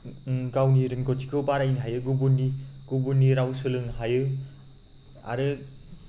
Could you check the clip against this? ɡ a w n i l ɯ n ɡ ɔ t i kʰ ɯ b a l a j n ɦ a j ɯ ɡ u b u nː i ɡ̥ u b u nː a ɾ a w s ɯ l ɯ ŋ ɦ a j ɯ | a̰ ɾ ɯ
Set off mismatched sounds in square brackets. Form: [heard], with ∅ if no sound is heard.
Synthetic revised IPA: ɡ a w n i [ɾ] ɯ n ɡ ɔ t i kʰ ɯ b a [ɾ] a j n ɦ a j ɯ ɡ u b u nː i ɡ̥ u b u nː [i] ɾ a w s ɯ l ɯ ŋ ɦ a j ɯ | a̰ ɾ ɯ

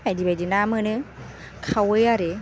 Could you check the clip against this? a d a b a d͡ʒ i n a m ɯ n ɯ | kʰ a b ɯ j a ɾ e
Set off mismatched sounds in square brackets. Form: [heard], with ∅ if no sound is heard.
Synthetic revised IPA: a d [i] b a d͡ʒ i n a m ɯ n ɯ | kʰ a [w] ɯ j a ɾ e

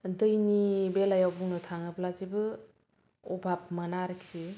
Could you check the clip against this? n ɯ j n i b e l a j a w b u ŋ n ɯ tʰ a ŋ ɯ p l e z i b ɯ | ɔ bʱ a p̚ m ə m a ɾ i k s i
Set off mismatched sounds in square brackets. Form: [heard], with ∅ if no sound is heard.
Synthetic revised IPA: [d] ɯ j n i b e l a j a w b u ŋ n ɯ tʰ a ŋ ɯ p l [a] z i b ɯ | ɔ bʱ a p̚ m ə [n] a ɾ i k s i

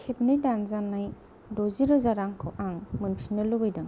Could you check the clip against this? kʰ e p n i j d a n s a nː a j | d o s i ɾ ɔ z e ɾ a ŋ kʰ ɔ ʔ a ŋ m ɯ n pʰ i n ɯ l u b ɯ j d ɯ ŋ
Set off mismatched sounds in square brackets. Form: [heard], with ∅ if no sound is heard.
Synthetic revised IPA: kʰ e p n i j d a n [z] a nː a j | d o [z] i ɾ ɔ z [a] ɾ a ŋ kʰ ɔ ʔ a ŋ m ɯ n pʰ i n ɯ l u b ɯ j d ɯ ŋ

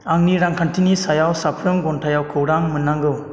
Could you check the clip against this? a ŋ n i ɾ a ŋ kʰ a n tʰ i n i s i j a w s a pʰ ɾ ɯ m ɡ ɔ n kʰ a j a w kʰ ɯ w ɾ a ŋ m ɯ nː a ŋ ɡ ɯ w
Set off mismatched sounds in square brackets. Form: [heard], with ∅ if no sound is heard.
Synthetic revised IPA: a ŋ n i ɾ a ŋ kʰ a n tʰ i n i s [a] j a w s a pʰ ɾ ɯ m ɡ ɔ n [tʰ] a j a w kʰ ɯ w ɾ a ŋ m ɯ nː a ŋ ɡ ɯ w

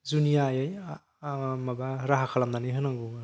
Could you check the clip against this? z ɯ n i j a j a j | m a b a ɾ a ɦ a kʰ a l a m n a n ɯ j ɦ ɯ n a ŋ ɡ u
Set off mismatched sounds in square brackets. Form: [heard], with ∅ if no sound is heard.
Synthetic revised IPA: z [u] n i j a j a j | m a b a ɾ a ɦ a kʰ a l a m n a n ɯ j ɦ ɯ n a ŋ ɡ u

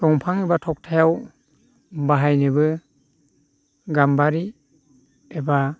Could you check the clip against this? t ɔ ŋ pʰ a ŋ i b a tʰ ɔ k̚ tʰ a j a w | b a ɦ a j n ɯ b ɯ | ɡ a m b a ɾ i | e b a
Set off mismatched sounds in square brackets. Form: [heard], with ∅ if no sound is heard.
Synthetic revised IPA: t ɔ ŋ pʰ a ŋ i b a tʰ ɔ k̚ tʰ a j a w | b a ɦ a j n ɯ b ɯ | ɡ a m b a ɾ i | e b a

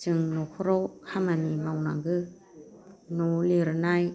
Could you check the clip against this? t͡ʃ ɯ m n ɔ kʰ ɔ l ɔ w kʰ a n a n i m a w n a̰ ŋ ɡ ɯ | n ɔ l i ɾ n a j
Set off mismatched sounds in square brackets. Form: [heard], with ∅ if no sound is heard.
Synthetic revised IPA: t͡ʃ ɯ [ŋ] n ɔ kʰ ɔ [ɾ] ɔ w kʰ a [m] a n i m a w n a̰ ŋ ɡ ɯ | n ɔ l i ɾ n a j

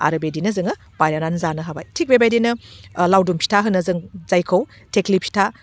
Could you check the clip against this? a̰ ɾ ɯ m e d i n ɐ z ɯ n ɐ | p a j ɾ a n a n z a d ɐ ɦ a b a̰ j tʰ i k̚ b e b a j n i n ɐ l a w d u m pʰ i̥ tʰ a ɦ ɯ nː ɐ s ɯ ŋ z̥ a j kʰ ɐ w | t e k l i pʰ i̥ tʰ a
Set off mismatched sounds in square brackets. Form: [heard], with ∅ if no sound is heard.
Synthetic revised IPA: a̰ ɾ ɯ [b] e d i n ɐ z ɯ [ŋ] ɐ | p a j ɾ a n a n z a [n] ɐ ɦ a b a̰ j tʰ i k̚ b e b a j [d] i n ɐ l a w d u m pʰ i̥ tʰ a ɦ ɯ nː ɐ [z] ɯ ŋ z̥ a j kʰ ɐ w | t e k l i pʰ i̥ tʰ a

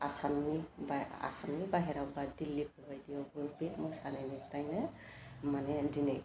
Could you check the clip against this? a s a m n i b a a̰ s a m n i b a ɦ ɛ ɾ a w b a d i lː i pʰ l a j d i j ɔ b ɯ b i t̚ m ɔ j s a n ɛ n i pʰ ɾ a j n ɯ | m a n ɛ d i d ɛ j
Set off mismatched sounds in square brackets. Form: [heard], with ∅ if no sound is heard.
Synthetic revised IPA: a s a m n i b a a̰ s a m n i b a ɦ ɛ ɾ a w b a d i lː i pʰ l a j d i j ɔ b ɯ b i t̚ m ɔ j s a n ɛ n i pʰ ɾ a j n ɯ | m a n ɛ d i [n] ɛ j

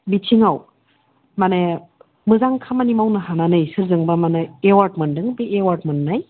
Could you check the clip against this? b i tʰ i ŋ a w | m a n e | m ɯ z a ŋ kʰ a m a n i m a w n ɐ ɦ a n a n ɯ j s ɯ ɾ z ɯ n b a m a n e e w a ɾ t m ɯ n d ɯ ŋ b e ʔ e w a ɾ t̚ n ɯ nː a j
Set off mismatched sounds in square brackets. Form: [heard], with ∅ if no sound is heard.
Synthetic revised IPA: b i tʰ i ŋ a w | m a n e | m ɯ z a ŋ kʰ a m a n i m a w n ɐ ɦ a n a n ɯ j s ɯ ɾ z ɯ [ŋ] b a m a n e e w a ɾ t m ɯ n d ɯ ŋ b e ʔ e w a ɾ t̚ [m] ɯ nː a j

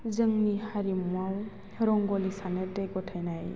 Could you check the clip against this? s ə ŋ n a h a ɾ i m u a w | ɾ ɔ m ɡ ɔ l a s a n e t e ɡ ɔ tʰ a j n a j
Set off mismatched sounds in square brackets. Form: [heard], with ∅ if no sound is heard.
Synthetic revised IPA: [z] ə ŋ n [i] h a ɾ i m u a w | ɾ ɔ [ŋ] ɡ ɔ l [i] s a n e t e ɡ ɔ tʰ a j n a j

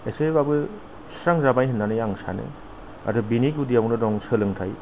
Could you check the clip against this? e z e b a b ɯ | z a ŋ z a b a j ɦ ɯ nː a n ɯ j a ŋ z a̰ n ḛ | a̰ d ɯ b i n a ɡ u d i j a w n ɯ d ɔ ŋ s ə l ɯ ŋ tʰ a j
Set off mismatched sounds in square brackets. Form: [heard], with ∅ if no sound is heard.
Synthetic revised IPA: e [s] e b a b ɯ | [s] a ŋ z a b a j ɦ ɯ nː a n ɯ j a ŋ [s] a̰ n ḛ | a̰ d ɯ b i n [i] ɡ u d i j a w n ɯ d ɔ ŋ s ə l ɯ ŋ tʰ a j

